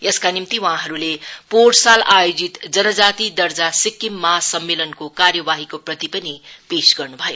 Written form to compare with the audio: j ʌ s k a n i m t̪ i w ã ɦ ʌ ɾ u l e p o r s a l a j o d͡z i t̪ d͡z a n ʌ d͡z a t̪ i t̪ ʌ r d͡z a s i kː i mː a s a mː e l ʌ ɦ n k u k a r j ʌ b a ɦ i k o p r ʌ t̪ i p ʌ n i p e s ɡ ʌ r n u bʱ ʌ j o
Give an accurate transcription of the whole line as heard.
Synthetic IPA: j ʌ s k a n i m t̪ i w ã ɦ ʌ ɾ u l e p o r s a l a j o d͡z i t̪ d͡z ʌ n ʌ d͡z a t̪ i d̪ ʌ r d͡z a s i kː i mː a s ʌ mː e l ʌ n k o k a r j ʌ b a ɦ i k o p r ʌ t̪ i p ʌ n i p e s ɡ ʌ r n u bʱ ʌ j o

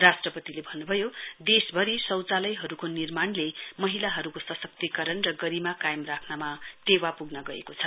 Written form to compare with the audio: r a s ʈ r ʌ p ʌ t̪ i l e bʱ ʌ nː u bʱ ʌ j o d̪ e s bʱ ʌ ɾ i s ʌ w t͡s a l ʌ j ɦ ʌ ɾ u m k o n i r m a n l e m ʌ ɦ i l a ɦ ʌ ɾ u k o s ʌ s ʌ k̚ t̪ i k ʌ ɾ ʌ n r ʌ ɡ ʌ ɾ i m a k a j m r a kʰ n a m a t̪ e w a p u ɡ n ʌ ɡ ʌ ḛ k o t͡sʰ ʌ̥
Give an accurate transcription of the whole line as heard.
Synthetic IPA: r a s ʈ r ʌ p ʌ t̪ i l e bʱ ʌ nː u bʱ ʌ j o d̪ e s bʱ ʌ ɾ i s ʌ w t͡s a l ʌ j ɦ ʌ ɾ u k o n i r m a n l e m ʌ ɦ i l a ɦ ʌ ɾ u k o s ʌ s ʌ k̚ t̪ i k ʌ ɾ ʌ n r ʌ ɡ ʌ ɾ i m a k a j m r a kʰ n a m a t̪ e w a p u ɡ n ʌ ɡ ʌ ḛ k o t͡sʰ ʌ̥

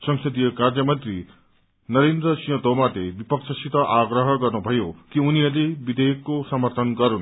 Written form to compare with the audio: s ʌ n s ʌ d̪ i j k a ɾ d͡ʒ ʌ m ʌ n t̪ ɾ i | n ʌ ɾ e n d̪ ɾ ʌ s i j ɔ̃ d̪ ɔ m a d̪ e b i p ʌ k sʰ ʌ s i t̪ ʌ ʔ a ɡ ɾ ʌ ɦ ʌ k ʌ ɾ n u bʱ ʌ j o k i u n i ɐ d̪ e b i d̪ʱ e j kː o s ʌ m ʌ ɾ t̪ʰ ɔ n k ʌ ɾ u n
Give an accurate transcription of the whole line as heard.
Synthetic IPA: s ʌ ŋ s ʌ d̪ i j k a ɾ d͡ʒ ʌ m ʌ n t̪ ɾ i | n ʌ ɾ e n d̪ ɾ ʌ s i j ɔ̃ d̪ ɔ m a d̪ e b i p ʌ k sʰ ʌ s i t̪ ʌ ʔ a ɡ ɾ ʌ ɦ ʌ k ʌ ɾ n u bʱ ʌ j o k i u n i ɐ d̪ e b i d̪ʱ e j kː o s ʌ m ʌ ɾ t̪ʰ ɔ n k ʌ ɾ u n

